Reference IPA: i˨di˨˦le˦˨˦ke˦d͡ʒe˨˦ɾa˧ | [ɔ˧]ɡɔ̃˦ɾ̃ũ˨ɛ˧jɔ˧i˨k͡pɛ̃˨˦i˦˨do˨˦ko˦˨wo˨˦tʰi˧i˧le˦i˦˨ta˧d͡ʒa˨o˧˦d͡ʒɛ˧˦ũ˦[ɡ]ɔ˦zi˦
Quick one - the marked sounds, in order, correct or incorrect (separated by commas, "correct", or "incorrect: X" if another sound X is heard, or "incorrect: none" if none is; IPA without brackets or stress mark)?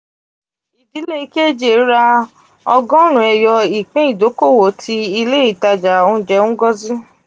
correct, correct